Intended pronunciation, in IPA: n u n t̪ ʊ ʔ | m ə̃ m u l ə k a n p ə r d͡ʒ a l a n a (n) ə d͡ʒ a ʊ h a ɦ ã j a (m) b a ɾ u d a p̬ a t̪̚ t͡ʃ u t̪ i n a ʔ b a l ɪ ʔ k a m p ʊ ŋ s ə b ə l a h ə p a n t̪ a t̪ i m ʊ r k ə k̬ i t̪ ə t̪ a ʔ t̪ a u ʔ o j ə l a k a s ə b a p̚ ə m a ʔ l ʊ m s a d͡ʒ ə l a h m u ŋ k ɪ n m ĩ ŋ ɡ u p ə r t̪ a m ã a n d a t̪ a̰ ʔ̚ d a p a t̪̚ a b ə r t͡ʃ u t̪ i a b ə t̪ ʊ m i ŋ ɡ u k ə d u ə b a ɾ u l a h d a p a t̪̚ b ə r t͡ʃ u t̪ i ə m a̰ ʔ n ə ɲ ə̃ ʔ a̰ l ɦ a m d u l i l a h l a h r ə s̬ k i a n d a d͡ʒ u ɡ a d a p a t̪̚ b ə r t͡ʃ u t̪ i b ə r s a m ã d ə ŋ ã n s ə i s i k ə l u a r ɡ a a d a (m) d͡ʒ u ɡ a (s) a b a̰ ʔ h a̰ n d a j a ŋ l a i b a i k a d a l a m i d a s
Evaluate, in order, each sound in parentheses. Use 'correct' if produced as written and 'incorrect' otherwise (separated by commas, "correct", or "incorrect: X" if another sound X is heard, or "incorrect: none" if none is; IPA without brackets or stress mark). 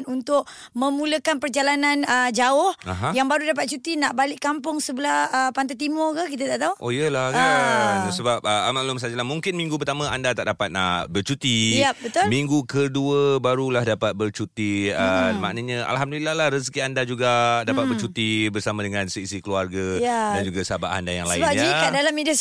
correct, incorrect: ŋ, incorrect: n, correct